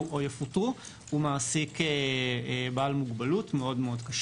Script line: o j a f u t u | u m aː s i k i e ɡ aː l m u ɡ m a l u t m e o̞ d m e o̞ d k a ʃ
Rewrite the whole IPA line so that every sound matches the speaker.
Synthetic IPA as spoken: o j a f u t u | u m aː s i k e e b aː l m u ɡ b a l u t m e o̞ d m e o̞ d k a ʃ